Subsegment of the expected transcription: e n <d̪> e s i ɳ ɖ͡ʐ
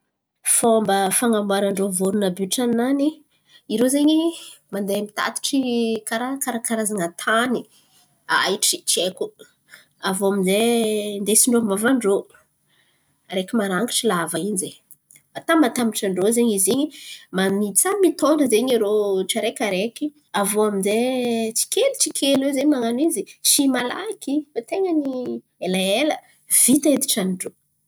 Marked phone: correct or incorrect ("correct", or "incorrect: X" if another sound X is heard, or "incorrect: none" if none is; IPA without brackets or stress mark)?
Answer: correct